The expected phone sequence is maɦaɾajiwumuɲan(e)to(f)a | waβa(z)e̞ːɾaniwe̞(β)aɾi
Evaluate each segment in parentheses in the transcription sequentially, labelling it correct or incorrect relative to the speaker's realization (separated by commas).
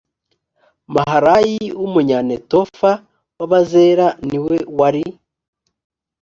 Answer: correct, correct, correct, incorrect